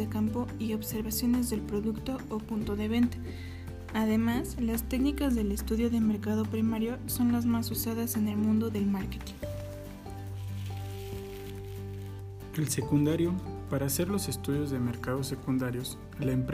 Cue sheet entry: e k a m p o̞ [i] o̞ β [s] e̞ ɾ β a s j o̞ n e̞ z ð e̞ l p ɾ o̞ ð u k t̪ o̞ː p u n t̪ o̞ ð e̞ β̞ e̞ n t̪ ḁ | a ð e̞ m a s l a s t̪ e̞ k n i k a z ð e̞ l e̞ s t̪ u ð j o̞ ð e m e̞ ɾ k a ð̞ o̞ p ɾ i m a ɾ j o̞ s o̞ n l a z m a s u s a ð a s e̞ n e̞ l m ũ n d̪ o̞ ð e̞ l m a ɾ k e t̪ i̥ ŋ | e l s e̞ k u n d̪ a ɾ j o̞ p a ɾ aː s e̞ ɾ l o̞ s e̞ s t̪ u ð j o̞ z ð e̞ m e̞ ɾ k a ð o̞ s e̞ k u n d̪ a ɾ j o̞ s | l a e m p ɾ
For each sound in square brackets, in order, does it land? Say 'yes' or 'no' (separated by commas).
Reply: yes, yes